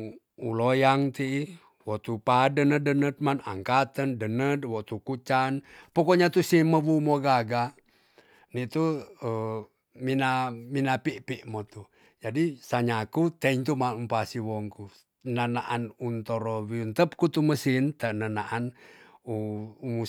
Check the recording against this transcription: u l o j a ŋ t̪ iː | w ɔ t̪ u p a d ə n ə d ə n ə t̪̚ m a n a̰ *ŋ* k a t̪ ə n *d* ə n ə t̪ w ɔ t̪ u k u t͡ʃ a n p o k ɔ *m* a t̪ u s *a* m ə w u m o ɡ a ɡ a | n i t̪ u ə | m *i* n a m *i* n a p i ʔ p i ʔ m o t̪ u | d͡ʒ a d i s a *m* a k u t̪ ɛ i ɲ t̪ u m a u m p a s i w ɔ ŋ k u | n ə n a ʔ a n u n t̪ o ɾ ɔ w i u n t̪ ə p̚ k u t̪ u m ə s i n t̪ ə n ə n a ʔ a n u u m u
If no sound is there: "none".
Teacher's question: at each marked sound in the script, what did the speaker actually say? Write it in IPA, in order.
ŋ, d, ɲ, i, i, i, ɲ

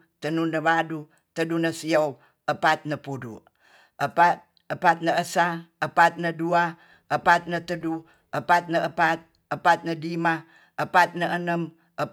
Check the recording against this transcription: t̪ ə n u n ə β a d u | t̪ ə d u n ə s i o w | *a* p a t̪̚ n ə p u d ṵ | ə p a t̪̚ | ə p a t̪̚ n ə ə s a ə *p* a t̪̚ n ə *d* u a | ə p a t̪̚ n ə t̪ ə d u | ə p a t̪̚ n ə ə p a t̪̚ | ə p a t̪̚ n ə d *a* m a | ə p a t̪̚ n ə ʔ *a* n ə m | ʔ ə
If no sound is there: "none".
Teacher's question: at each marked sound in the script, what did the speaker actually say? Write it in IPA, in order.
ə, p, d, i, ə

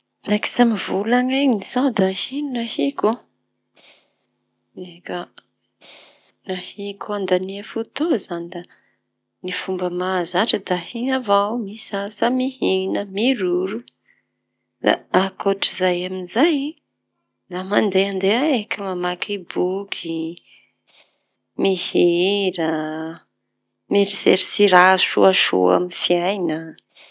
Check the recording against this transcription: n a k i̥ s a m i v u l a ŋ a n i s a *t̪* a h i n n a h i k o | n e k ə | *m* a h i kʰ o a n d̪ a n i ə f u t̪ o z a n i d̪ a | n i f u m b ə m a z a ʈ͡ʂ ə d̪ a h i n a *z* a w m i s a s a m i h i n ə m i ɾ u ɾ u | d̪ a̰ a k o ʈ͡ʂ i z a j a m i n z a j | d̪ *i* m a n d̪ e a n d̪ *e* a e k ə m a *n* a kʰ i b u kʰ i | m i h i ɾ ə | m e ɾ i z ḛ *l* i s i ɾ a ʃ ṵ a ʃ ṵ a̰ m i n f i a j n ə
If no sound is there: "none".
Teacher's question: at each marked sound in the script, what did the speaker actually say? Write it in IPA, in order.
d̪, n, v, a, e, m, ɾ

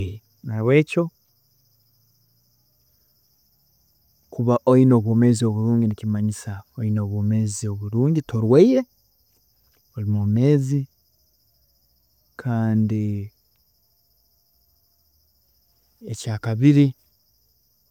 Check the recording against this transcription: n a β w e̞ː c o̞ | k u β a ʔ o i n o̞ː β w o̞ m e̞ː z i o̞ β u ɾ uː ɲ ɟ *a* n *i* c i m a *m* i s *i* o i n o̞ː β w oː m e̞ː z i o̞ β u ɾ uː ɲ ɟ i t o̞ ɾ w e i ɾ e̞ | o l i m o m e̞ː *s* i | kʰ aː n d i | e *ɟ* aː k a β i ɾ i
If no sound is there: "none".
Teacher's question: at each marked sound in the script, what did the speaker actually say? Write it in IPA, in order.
i, i, ɲ, a, z, c

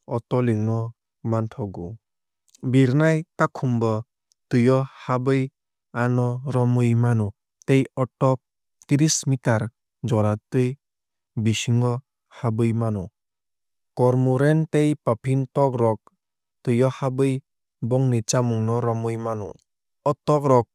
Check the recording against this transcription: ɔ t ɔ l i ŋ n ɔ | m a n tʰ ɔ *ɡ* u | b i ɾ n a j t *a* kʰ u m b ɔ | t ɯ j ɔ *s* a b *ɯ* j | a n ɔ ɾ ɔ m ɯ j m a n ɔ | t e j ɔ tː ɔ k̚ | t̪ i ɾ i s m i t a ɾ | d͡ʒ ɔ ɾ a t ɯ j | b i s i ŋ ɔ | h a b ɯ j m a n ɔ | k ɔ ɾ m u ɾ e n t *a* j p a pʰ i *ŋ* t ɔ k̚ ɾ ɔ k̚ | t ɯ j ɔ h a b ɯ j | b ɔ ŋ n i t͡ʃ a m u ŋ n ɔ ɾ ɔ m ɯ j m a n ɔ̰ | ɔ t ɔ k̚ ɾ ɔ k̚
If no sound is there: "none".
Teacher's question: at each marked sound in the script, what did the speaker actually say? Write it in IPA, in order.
ɡ, a, h, ɯ, e, n

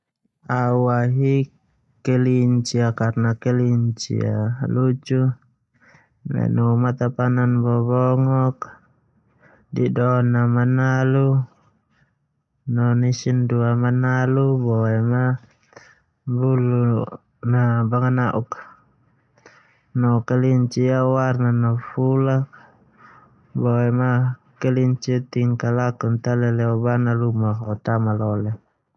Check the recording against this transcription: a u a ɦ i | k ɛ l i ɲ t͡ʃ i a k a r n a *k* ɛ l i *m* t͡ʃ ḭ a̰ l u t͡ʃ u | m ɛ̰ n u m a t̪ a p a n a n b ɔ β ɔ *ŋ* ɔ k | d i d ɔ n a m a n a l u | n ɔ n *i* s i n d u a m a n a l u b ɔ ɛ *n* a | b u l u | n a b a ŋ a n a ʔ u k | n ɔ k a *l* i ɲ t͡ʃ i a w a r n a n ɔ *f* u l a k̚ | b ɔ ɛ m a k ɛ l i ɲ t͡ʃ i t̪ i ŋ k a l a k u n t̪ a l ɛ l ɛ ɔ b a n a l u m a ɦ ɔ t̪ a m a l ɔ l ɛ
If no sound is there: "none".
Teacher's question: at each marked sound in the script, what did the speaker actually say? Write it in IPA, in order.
k, ɲ, ŋ, i, m, l, f

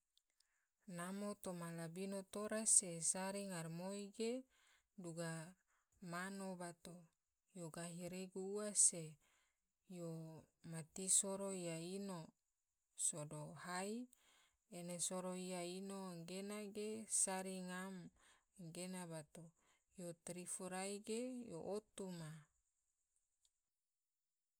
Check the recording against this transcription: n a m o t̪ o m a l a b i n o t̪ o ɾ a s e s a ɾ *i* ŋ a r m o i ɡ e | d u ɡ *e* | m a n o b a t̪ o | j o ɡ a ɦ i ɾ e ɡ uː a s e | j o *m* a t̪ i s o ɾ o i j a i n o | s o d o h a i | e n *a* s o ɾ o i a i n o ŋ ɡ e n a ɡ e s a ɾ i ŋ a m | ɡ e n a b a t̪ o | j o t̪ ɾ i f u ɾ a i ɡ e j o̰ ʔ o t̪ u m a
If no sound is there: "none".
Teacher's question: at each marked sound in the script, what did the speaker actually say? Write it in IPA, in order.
i, a, m, e

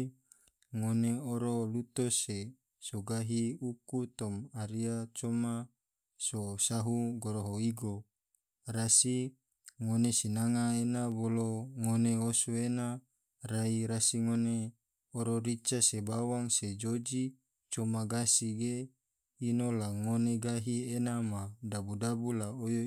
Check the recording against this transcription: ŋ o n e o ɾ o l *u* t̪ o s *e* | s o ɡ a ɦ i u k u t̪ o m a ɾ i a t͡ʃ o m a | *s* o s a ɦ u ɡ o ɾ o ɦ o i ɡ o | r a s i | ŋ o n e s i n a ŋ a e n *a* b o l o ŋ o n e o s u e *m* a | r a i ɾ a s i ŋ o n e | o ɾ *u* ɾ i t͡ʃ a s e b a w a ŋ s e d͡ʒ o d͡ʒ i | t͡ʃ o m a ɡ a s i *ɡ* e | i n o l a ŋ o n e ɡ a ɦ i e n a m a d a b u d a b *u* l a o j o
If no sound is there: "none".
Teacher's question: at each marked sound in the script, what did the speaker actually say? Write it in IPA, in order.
u, e, s, a, n, o, ɡ, u

